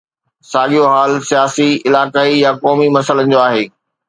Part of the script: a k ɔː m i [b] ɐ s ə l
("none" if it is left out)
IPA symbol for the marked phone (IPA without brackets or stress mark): m